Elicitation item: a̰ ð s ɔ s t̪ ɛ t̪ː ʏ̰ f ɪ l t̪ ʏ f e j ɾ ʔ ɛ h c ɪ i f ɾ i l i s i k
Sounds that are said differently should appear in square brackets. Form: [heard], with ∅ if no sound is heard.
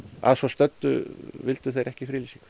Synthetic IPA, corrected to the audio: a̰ ð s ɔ s t̪ [œ] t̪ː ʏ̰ [v] ɪ l t̪ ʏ [θ] e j ɾ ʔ ɛ h c ɪ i f ɾ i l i s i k